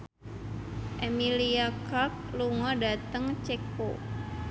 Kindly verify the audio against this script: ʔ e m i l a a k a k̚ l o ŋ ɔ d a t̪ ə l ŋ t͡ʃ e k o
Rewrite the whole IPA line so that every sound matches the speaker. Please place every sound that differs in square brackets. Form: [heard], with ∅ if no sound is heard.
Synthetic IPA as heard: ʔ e m i l [i] a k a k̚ l [u] ŋ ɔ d a t̪ ə [∅] ŋ t͡ʃ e k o